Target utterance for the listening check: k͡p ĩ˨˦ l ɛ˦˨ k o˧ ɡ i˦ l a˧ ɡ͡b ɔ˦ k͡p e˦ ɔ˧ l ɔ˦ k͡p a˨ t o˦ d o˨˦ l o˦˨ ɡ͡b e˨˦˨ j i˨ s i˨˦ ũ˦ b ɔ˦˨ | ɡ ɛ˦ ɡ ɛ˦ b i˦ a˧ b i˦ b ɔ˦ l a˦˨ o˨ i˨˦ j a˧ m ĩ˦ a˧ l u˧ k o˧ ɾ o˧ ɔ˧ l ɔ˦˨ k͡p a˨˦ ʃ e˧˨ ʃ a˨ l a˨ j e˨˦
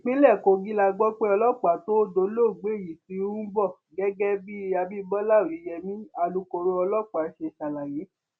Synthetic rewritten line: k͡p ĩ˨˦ l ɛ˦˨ k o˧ ɡ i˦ l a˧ ɡ͡b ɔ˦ k͡p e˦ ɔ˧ l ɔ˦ k͡p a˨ t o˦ d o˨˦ l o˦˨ ɡ͡b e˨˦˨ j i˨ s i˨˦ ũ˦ b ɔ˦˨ | ɡ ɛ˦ ɡ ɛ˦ b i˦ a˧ b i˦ b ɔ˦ l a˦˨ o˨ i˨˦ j ɛ˧ m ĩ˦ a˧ l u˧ k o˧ ɾ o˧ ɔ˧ l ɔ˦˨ k͡p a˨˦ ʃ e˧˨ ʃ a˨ l a˨ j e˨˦